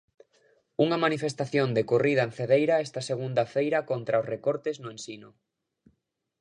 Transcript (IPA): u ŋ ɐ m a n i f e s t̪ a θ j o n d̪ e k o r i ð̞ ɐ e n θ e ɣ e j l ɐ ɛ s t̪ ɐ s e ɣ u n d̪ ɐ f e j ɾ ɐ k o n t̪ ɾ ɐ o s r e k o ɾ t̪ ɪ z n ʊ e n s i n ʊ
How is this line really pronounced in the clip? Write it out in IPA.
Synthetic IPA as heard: u ŋ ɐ m a n i f e s t̪ a θ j o n d̪ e k o r i ð̞ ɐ e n θ e ð e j ɾ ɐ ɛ s t̪ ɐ s e ɣ u n d̪ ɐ f e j ɾ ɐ k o n t̪ ɾ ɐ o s r e k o ɾ t̪ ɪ z n ʊ e n s i n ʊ

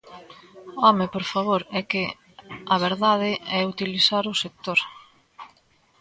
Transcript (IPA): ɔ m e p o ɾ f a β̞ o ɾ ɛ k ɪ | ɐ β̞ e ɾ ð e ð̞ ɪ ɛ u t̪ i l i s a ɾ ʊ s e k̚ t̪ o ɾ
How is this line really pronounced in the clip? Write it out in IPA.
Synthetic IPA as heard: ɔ m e p o ɾ f a β̞ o ɾ ɛ k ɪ | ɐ β̞ e ɾ ð a ð̞ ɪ ɛ u t̪ i l i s a ɾ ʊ s e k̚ t̪ o ɾ

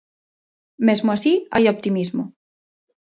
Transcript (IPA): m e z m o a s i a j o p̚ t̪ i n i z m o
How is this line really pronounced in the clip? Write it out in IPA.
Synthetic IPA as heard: m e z m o a s i a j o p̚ t̪ i m i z m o

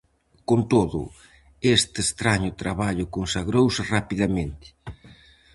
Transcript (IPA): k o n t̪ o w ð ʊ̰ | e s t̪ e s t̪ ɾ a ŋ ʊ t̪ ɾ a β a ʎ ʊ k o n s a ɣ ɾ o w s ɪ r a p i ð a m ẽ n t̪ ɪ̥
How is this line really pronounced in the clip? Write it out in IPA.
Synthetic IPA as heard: k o n t̪ o ð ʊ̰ | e s t̪ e s t̪ ɾ a ɲ ʊ t̪ ɾ a β a ʎ ʊ k o n s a ɣ ɾ o w s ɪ r a p i ð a m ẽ n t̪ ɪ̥

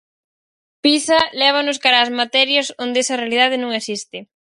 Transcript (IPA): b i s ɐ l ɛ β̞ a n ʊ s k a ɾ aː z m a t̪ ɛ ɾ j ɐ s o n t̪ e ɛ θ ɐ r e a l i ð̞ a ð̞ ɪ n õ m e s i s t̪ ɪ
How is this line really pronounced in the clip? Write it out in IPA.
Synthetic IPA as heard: p i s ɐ l ɛ β̞ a n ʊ s k a ɾ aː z m a t̪ ɛ ɾ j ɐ s o n d̪ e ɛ s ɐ r e a l i ð̞ a ð̞ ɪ n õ ŋ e s i s t̪ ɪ

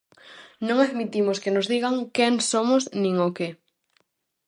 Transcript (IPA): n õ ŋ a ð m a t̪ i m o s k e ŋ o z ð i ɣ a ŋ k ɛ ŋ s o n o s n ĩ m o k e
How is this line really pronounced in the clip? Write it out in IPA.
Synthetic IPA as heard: n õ ŋ a ð m i t̪ i m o s k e n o z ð i ɣ a ŋ k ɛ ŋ s o m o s n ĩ ŋ o k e

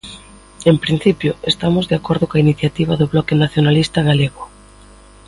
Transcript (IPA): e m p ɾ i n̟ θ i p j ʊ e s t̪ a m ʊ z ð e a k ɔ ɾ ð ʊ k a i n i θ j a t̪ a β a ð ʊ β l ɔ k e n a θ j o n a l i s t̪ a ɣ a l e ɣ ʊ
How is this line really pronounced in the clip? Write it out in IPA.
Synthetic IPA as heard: e m p ɾ i n̟ θ i p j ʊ e s t̪ a m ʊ z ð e a k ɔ ɾ ð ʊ k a i n i θ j a t̪ i β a ð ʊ β l ɔ k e n a θ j o n a l i s t̪ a ɣ a l e ɣ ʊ

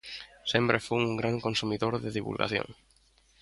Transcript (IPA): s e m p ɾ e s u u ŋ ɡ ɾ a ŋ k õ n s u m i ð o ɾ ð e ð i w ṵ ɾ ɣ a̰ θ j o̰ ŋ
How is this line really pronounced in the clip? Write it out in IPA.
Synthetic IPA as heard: s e m p ɾ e f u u ŋ ɡ ɾ a ŋ k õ n s u m i ð o ɾ ð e ð i β ṵ l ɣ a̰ θ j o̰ ŋ

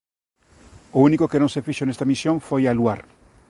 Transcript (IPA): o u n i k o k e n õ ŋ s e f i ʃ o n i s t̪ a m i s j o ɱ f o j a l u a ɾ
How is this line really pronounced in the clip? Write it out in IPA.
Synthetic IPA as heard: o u n i k o k e n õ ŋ s e f i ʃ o n e s t̪ a m i s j o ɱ f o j a l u a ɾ

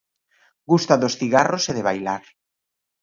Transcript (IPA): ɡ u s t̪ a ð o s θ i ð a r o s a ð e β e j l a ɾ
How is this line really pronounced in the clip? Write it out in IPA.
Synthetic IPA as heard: ɡ u s t̪ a ð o s θ i ɣ a r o s e ð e β a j l a ɾ

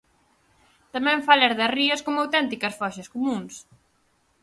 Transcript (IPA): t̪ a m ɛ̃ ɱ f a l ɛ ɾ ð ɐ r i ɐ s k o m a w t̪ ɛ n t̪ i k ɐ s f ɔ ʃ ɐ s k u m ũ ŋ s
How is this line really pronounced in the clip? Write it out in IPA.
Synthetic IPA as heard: t̪ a m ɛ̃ ɱ f a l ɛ ɾ ð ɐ r i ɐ s k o m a w t̪ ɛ n t̪ i k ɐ s f ɔ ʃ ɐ s k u m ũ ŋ s

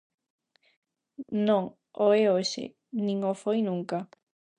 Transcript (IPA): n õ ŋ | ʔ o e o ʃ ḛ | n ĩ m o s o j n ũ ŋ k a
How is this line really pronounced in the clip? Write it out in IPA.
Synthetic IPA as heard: n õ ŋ | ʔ o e o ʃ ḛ | n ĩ ŋ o f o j n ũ ŋ k a

